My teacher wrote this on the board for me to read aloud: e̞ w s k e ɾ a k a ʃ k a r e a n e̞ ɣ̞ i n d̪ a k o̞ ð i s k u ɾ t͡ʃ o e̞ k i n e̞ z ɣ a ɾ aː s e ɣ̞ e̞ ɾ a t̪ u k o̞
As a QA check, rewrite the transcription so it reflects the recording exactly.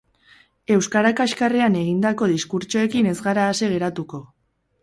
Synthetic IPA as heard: e̞ w s k a ɾ a k a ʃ k a r e a n e̞ ɣ̞ i n d̪ a k o̞ ð i s k u ɾ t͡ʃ o e̞ k i n e̞ z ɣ a ɾ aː s e ɣ̞ e̞ ɾ a t̪ u k o̞